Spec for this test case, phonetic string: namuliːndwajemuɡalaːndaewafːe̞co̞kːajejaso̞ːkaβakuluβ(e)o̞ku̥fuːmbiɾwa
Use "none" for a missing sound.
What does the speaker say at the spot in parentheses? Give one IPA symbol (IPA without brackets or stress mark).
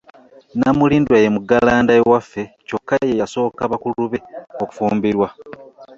e